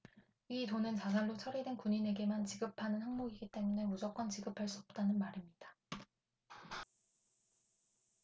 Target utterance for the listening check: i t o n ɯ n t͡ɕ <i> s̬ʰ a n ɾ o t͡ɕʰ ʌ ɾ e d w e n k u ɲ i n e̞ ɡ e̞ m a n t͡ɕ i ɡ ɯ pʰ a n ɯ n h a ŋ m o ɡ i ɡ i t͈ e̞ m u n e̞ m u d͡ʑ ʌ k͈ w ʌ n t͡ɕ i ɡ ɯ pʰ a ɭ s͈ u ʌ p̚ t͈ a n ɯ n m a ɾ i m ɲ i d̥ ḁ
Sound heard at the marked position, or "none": a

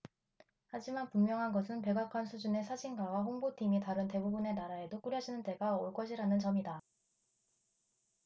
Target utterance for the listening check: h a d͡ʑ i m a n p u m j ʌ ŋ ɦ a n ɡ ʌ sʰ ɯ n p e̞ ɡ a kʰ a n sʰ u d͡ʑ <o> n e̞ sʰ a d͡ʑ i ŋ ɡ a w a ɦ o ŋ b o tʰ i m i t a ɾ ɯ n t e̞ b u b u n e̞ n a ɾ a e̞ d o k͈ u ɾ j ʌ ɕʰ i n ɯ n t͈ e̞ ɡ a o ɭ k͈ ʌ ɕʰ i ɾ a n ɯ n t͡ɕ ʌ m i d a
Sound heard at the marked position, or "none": u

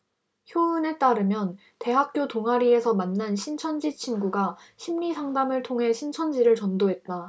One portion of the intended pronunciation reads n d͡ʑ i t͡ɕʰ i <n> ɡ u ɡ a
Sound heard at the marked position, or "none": n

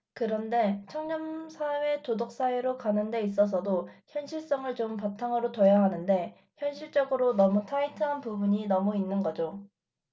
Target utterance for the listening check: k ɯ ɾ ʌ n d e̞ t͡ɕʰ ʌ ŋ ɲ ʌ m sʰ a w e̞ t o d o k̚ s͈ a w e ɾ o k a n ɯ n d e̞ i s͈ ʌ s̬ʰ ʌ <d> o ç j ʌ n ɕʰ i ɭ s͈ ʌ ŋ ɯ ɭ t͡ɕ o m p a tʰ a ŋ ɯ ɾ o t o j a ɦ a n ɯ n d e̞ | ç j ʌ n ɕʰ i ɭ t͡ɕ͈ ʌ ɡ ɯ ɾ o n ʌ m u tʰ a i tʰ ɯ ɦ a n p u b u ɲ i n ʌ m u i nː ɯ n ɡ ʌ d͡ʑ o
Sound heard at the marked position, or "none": d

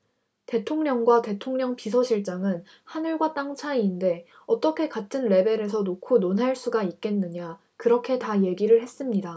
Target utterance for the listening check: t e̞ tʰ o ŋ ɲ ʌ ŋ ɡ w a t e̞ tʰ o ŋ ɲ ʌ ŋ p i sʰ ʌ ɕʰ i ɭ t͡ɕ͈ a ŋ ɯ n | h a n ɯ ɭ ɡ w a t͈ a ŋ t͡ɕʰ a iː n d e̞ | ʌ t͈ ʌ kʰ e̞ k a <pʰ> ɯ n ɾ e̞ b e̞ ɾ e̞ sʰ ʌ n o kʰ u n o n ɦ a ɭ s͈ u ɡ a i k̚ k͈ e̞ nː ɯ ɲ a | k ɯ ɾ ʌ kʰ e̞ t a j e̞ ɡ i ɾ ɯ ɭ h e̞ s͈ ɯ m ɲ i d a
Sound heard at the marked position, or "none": tʰ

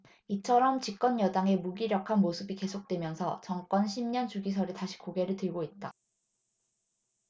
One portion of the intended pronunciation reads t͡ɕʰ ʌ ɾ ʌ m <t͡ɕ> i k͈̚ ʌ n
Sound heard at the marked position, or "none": t͡ɕ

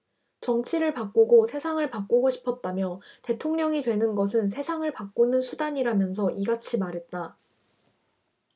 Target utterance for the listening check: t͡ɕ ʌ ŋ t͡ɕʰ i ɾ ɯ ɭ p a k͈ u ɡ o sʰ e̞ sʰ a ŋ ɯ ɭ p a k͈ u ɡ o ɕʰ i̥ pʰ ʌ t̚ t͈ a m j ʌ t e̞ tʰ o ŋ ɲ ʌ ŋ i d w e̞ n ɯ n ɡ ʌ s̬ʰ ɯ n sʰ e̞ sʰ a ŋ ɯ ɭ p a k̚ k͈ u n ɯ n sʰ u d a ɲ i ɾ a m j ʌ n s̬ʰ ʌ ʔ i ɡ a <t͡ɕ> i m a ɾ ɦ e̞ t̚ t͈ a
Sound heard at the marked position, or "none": t͡ɕʰ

